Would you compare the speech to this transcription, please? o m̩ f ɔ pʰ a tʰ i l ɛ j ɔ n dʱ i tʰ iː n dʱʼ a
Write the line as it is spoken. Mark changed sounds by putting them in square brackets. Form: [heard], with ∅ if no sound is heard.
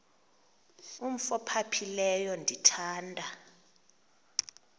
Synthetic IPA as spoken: [u] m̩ f ɔ pʰ a [pʰ] i l ɛ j ɔ n dʱ i tʰ [aː] n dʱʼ a